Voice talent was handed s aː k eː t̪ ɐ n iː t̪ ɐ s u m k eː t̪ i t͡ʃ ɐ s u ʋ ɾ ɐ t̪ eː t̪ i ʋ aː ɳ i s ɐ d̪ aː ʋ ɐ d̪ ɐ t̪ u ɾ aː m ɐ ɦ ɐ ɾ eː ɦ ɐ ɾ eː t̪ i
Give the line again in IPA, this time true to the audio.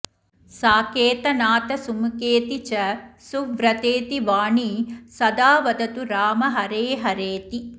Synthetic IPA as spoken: s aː k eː t̪ ɐ n aː t̪ ɐ s u m k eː t̪ i t͡ʃ ɐ s u ʋ ɾ ɐ t̪ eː t̪ i ʋ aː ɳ i s ɐ d̪ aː ʋ ɐ d̪ ɐ t̪ u ɾ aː m ɐ ɦ ɐ ɾ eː ɦ ɐ ɾ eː t̪ i

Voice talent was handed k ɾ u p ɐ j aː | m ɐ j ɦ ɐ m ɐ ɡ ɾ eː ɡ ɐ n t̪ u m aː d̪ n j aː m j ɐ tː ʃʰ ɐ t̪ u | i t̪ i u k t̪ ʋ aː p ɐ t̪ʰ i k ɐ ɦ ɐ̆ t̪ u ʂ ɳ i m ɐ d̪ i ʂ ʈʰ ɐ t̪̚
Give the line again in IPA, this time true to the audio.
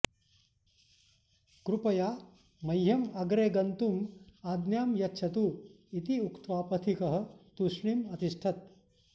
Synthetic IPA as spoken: k ɾ u p ɐ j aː | m ɐ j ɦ ɐ m ɐ ɡ ɾ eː ɡ ɐ n t̪ u m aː d̪ n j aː m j ɐ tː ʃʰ ɐ t̪ u | i t̪ i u k t̪ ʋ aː p ɐ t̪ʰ i k ɐ ɦ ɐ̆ t̪ u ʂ ɳ i m ɐ t̪ i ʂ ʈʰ ɐ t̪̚

